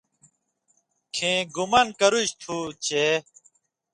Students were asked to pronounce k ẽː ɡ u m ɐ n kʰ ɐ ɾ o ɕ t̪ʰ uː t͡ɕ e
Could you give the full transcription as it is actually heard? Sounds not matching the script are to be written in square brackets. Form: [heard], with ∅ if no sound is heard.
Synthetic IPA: [kʰ] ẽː ɡ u m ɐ n [k] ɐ ɾ [u] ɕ t̪ʰ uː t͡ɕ e